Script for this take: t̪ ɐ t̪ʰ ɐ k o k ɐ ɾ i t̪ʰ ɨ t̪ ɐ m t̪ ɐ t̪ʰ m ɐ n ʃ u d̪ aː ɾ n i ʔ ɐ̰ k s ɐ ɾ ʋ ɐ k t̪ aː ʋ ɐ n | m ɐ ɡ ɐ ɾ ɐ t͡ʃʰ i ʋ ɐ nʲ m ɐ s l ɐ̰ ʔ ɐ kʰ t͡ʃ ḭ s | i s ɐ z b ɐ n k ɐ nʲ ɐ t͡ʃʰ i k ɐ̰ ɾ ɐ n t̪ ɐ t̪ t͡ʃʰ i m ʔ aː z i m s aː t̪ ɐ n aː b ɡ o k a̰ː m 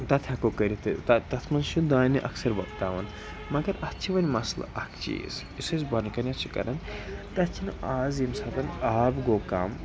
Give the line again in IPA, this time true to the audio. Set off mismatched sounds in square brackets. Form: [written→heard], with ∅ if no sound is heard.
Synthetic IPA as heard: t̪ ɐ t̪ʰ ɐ k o k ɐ ɾ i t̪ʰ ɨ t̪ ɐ [m→∅] t̪ ɐ t̪ʰ m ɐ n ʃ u d̪ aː [ɾ→∅] n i ʔ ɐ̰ k s ɐ ɾ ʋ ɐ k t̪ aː ʋ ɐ n | m ɐ ɡ ɐ ɾ ɐ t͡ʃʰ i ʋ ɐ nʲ m ɐ s l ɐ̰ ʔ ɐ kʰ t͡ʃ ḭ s | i s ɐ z b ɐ n k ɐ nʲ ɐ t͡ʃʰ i k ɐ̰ ɾ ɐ n t̪ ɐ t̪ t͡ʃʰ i [m→n] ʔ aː z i m s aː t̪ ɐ n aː b ɡ o k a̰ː m